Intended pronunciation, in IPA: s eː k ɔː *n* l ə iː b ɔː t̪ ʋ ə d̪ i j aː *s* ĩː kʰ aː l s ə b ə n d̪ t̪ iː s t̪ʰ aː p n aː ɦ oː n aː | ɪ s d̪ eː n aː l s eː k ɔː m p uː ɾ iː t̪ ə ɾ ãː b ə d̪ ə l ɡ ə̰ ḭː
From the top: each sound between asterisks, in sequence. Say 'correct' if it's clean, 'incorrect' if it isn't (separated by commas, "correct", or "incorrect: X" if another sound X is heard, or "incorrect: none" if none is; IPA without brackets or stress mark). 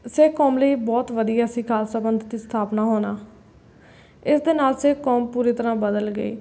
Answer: incorrect: m, correct